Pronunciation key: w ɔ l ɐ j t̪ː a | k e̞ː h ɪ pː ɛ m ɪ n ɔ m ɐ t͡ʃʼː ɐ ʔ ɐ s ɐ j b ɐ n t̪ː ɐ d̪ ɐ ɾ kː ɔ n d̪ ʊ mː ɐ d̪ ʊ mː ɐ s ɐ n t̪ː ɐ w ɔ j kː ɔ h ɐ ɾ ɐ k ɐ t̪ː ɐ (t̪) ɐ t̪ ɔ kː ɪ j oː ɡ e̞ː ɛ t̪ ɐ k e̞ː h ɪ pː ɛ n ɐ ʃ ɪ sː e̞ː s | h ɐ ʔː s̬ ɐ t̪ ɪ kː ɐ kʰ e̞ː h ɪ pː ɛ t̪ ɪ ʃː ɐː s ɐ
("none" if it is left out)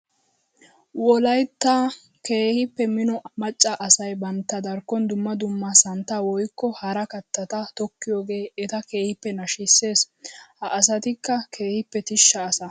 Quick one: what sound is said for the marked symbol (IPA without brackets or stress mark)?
t̪